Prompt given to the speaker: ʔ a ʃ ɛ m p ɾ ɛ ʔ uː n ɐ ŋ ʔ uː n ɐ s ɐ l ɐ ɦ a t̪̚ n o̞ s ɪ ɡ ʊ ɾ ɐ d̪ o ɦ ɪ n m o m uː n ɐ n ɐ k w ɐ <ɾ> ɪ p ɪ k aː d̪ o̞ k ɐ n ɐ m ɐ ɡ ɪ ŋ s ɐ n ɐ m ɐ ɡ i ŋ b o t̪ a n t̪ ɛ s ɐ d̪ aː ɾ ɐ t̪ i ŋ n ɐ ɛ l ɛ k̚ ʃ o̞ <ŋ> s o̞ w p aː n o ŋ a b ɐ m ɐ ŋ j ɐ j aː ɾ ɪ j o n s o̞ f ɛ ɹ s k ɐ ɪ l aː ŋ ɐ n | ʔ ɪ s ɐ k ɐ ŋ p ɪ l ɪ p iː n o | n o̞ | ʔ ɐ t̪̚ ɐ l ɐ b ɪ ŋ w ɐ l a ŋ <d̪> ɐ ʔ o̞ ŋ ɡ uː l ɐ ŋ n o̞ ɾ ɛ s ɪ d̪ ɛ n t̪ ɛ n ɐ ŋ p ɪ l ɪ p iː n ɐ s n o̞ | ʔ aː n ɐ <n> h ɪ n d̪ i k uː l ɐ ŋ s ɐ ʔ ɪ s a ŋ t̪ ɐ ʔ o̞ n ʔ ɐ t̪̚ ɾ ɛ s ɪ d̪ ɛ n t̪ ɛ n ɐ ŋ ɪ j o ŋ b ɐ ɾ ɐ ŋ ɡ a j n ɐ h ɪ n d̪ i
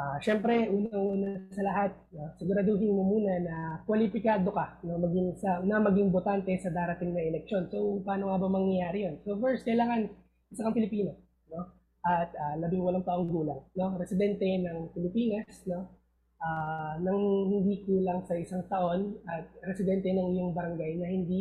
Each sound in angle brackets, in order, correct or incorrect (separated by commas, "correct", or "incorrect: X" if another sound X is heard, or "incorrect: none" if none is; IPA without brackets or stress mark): incorrect: l, incorrect: n, incorrect: t̪, incorrect: ŋ